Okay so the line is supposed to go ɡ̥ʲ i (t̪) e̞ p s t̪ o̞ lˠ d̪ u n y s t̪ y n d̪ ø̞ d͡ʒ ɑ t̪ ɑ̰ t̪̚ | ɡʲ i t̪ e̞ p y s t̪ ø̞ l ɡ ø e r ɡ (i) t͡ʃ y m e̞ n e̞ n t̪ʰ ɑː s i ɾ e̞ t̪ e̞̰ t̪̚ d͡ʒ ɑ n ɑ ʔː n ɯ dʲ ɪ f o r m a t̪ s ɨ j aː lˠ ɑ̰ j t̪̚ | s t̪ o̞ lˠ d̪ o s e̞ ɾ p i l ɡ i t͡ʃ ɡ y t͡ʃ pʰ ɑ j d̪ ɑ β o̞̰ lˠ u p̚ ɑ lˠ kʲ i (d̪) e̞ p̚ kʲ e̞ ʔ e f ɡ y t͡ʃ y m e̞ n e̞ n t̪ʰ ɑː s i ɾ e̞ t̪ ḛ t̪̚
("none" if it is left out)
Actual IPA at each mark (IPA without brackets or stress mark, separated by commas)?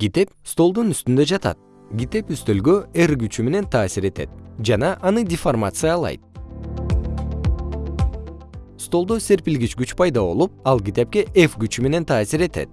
t̪, y, t̪